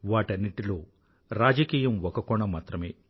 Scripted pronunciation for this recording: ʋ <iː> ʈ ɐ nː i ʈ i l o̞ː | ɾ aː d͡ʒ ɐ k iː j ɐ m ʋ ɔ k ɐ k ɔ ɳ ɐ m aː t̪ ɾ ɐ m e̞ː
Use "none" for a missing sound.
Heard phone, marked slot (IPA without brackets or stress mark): aː